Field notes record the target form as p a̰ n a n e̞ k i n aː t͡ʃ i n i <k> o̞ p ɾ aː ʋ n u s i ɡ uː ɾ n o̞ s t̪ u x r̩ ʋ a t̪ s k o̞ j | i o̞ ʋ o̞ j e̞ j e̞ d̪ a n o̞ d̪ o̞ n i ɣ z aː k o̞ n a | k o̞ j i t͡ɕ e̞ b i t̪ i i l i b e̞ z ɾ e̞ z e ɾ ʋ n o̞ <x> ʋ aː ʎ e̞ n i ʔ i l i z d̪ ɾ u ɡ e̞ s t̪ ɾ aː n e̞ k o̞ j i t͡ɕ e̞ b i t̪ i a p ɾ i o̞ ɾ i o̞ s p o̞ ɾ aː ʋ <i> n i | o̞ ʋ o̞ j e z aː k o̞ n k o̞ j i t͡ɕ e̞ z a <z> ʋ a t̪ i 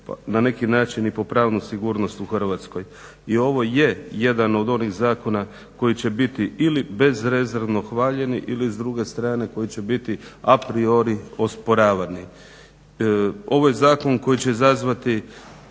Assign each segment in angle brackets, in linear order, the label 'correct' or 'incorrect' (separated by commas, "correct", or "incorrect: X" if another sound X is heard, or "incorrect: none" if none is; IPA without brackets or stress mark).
incorrect: p, correct, incorrect: a, correct